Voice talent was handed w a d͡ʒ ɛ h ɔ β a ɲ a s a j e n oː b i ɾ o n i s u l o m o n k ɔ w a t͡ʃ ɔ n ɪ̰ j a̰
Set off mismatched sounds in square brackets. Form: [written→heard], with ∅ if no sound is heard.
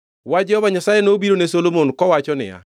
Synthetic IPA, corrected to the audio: w a d͡ʒ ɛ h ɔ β a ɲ a s a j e n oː b i ɾ o n [i→e] s [u→o] l o m o n k ɔ w a t͡ʃ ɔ n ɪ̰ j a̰